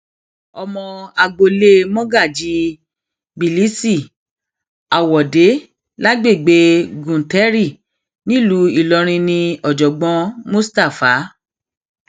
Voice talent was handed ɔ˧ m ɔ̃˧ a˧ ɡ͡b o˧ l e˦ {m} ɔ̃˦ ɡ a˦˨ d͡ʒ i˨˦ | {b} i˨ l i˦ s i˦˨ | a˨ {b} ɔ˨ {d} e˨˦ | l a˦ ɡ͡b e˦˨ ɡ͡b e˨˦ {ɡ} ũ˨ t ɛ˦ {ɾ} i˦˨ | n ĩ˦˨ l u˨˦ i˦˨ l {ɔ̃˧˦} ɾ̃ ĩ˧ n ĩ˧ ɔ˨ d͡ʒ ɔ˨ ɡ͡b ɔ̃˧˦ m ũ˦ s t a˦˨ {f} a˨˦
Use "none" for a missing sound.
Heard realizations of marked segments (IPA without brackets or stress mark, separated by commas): m, b, w, d, ɡ, ɾ, ɔ˧˦, f